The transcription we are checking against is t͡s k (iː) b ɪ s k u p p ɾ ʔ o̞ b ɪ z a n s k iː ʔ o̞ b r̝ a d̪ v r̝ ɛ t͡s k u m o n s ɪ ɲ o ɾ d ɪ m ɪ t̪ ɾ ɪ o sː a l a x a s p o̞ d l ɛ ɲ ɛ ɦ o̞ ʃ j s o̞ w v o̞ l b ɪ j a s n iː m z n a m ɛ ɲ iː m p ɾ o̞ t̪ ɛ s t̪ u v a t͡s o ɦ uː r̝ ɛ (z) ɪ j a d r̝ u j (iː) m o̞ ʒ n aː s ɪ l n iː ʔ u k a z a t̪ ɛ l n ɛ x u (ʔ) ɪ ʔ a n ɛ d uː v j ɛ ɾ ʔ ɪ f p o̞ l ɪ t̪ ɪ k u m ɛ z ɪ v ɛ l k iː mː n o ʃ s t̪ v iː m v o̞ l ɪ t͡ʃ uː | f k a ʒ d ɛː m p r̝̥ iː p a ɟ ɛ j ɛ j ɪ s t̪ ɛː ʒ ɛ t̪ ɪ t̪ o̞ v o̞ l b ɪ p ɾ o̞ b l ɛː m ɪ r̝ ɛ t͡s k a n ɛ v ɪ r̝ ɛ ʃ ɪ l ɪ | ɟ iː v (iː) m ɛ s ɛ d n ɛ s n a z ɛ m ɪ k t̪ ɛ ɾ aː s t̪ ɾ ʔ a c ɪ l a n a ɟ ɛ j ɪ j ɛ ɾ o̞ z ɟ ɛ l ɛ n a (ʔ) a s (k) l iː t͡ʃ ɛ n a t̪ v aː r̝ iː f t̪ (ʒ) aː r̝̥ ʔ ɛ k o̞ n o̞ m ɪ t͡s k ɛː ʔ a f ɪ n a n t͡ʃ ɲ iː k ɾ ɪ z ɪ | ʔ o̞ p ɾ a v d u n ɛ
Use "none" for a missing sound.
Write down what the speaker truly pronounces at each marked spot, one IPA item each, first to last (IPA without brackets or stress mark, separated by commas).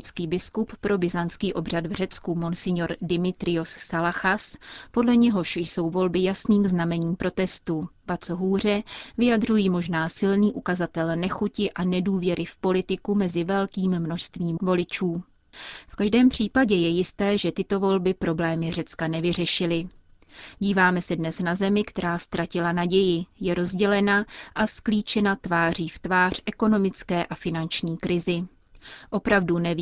iː, v, iː, c, aː, ʔ, k, v